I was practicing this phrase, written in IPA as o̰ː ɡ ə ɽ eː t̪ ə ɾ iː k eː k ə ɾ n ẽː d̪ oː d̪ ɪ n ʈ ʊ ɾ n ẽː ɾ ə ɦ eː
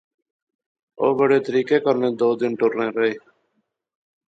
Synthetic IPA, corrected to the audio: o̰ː b ə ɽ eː t̪ ə ɾ iː k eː k ə ɾ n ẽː d̪ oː d̪ ɪ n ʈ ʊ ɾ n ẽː ɾ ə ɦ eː